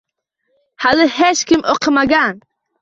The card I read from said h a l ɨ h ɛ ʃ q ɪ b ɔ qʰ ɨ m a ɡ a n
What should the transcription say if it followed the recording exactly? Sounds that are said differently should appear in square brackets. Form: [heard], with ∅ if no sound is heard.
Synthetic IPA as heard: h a l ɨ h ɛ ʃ [k] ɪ [m] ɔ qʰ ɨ m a ɡ a n